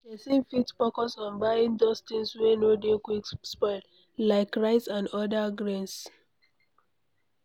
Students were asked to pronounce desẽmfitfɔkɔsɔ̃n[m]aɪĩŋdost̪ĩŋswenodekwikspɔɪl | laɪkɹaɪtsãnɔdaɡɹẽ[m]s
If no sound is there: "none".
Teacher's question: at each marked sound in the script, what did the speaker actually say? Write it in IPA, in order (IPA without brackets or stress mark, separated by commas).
b, n